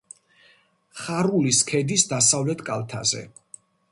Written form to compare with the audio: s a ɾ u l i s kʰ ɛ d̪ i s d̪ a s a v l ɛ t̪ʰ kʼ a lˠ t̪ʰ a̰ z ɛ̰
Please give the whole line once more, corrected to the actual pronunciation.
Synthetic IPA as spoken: χ a ɾ u l i s kʰ ɛ d̪ i s d̪ a s a v l ɛ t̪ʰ kʼ a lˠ t̪ʰ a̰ z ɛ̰